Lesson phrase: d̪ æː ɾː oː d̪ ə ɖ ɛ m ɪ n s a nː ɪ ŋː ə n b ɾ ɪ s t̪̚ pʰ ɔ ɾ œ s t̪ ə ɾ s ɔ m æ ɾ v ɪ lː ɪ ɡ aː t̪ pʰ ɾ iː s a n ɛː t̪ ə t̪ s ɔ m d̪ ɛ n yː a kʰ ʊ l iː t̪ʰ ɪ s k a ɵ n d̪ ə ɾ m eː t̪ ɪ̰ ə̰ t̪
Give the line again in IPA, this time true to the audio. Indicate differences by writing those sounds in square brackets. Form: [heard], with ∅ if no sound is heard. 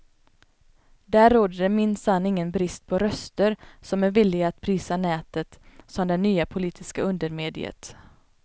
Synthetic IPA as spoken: d̪ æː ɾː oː d̪ ə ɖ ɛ m ɪ n s a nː ɪ ŋː ə n b ɾ ɪ s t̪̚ pʰ ɔ ɾ œ s t̪ ə ɾ s ɔ m æ ɾ v ɪ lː ɪ ɡ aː t̪ pʰ ɾ iː s a n ɛː t̪ ə t̪ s ɔ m d̪ ɛ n yː a [pʰ] ʊ l iː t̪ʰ ɪ s k a ɵ n d̪ ə ɾ m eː [d̪] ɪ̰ ə̰ t̪

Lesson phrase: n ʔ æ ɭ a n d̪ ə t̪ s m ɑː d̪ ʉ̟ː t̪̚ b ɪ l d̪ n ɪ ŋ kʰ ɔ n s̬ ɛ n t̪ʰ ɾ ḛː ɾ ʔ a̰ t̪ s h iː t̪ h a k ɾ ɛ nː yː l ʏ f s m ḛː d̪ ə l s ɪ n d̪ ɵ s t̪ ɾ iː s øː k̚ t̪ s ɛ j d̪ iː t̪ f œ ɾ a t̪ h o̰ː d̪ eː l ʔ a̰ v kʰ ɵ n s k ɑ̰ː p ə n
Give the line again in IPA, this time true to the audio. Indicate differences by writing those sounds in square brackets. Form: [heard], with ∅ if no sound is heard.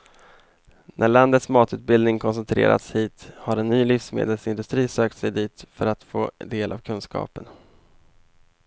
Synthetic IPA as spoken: n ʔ æ ɭ a n d̪ ə t̪ s m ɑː [t̪] ʉ̟ː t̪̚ b ɪ l d̪ n ɪ ŋ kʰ ɔ n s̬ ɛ n t̪ʰ ɾ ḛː ɾ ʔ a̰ t̪ s h iː t̪ h a [∅] ɾ ɛ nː yː l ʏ f s m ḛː d̪ ə l s ɪ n d̪ ɵ s t̪ ɾ iː s øː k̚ t̪ s ɛ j d̪ iː t̪ f œ ɾ a t̪ [f] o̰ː d̪ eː l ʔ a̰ v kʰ ɵ n s k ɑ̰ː p ə n

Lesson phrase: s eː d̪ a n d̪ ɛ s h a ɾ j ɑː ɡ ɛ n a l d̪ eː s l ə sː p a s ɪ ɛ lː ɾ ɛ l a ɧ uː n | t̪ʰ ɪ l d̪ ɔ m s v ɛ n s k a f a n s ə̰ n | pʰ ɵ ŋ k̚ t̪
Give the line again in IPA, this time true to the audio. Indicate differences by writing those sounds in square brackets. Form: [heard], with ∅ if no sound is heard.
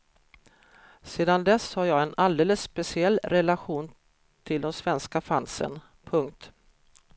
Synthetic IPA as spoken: s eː d̪ a n d̪ ɛ s h a ɾ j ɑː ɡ ɛ n a l d̪ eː [∅] l ə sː p [ɛ] s ɪ ɛ lː ɾ ɛ l a ɧ uː n | t̪ʰ ɪ l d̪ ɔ m s v ɛ n s k a f a n s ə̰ n | pʰ ɵ ŋ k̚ t̪

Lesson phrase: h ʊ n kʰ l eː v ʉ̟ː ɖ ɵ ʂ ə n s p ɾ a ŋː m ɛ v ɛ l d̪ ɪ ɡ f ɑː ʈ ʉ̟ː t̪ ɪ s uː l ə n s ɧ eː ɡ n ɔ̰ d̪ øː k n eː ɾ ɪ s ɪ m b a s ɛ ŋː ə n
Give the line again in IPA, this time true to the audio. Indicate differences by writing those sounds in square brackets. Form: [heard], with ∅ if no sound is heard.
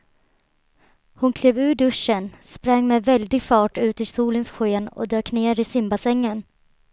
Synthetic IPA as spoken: h ʊ n kʰ l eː v ʉ̟ː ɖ ɵ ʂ ə n s p ɾ a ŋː m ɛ v ɛ l d̪ ɪ ɡ f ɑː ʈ ʉ̟ː t̪ ɪ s uː l ə n s ɧ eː [∅] n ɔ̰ d̪ øː k n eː ɾ ɪ s ɪ m b a s ɛ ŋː ə n

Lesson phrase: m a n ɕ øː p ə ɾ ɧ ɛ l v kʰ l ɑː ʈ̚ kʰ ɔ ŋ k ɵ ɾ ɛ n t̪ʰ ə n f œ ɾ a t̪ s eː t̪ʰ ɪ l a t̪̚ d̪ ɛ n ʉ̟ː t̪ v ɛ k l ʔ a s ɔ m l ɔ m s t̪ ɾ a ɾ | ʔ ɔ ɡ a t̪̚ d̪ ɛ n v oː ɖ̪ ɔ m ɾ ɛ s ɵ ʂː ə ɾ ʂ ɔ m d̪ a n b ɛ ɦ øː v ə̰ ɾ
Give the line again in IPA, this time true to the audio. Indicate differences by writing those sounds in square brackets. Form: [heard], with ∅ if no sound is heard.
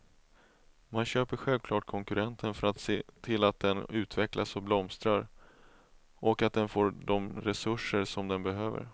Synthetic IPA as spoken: m a n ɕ øː p ə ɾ ɧ ɛ l v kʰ l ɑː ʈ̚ kʰ ɔ ŋ k ɵ ɾ ɛ n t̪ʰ ə n f œ ɾ a t̪ s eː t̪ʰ ɪ l a t̪̚ d̪ ɛ n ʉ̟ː t̪ v ɛ k l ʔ a s ɔ [b] l ɔ m s t̪ ɾ a ɾ | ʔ ɔ [k] a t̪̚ d̪ ɛ n [f] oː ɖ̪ ɔ m ɾ ɛ s ɵ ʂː ə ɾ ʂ ɔ m d̪ [ɛ] n b ɛ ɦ øː v ə̰ ɾ

